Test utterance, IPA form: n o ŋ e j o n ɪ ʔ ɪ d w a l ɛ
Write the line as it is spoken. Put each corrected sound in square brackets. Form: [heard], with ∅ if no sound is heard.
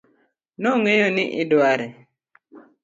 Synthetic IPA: n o ŋ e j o n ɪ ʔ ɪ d w a [ɾ] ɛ